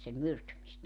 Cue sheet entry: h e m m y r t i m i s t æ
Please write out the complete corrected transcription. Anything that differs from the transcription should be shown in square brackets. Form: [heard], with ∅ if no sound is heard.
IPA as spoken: [s] e m m y r t [y] m i s t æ